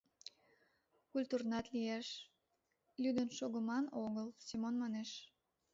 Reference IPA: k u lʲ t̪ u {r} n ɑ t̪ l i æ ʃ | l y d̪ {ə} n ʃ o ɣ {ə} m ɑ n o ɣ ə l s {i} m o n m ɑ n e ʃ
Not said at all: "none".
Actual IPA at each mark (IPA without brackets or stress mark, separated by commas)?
r, ə, ə, i